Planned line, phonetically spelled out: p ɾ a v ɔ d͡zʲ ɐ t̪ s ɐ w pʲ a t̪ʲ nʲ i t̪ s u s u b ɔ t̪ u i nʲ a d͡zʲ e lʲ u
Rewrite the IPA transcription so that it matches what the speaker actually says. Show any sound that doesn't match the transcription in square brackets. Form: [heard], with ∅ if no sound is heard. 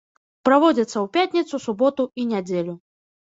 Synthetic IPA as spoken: p ɾ a v ɔ d͡zʲ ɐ t̪ [sː] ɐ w pʲ a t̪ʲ nʲ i t̪ s u s u b ɔ t̪ u i nʲ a d͡zʲ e lʲ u

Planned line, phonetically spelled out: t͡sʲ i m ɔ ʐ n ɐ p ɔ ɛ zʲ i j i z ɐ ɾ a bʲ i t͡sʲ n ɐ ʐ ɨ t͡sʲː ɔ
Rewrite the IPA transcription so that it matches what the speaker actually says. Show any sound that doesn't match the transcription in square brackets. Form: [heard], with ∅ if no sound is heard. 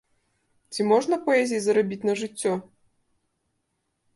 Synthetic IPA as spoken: t͡sʲ i m ɔ ʐ n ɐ p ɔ ɛ zʲ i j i z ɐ ɾ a bʲ i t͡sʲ n ɐ ʐ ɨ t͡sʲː ɔ

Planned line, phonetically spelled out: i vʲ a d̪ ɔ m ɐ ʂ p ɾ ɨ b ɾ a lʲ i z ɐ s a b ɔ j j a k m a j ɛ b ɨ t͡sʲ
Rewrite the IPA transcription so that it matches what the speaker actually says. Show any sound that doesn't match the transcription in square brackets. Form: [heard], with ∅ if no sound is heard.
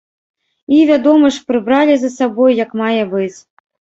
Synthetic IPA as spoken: i vʲ a d̪ ɔ m ɐ ʂ p ɾ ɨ b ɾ a lʲ i z ɐ s a b ɔ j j [ɐ] k m a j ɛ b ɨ t͡sʲ

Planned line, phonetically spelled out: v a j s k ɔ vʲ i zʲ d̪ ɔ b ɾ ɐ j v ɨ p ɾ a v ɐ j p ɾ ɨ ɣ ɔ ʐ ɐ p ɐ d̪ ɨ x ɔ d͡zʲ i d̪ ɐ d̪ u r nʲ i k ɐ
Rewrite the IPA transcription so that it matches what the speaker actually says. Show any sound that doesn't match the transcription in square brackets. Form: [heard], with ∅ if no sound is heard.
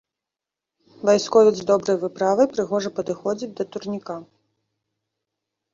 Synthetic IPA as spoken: v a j s k ɔ vʲ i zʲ d̪ ɔ b ɾ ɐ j v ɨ p ɾ a v ɐ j p ɾ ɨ ɣ ɔ ʐ ɐ p ɐ d̪ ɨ x ɔ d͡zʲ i d̪ ɐ [t̪] u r nʲ i k [a]

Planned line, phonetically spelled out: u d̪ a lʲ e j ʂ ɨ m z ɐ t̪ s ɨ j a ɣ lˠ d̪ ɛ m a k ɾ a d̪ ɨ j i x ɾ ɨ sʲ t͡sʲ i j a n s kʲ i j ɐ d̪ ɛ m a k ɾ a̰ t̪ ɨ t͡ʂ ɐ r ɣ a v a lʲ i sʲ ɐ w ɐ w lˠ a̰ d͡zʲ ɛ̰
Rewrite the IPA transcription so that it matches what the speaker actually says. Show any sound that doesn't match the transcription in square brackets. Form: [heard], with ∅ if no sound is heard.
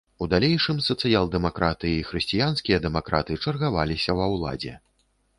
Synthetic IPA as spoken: u d̪ a lʲ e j ʂ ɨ m [s] ɐ t̪ s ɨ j a [∅] lˠ d̪ ɛ m a k ɾ a [t̪] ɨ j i x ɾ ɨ sʲ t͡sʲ i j a n s kʲ i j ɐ d̪ ɛ m a k ɾ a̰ t̪ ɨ t͡ʂ ɐ r ɣ a v a lʲ i sʲ ɐ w ɐ w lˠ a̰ d͡zʲ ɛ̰

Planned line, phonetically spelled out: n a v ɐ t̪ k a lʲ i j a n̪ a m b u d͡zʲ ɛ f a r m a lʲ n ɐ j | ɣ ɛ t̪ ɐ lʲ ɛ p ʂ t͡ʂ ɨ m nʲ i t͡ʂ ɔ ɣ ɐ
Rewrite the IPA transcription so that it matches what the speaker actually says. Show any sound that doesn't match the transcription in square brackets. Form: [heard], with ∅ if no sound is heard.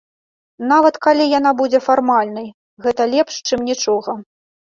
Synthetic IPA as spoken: n a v ɐ t̪ k a lʲ i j a n̪ a [∅] b u d͡zʲ ɛ f a r m a lʲ n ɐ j | ɣ ɛ t̪ ɐ lʲ ɛ p ʂ t͡ʂ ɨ m nʲ i t͡ʂ ɔ ɣ ɐ

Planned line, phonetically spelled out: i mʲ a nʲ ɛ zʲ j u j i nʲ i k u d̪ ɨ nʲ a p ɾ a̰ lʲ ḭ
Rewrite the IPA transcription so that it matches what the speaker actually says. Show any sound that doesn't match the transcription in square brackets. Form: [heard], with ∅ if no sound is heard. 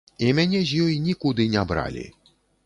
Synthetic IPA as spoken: i mʲ a nʲ ɛ zʲ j [ɔ] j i nʲ i k u d̪ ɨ nʲ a [b] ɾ a̰ lʲ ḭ

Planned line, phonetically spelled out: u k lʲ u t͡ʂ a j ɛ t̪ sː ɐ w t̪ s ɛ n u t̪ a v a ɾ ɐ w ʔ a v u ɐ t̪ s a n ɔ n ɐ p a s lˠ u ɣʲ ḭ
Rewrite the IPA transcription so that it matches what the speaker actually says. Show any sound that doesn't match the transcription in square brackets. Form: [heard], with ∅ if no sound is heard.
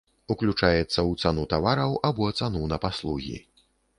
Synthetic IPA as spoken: u k lʲ u t͡ʂ a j ɛ t̪ sː ɐ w t̪ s [a] n u t̪ a v a ɾ ɐ w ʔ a [b] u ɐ t̪ s a n [u] n ɐ p a s lˠ u ɣʲ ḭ

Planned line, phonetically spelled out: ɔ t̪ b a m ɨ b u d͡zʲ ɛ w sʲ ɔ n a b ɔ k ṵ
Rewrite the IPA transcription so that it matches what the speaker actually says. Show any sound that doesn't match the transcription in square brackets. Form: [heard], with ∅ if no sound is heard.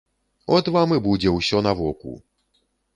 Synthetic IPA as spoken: ɔ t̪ [v] a m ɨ b u d͡zʲ ɛ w sʲ ɔ n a [v] ɔ k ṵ

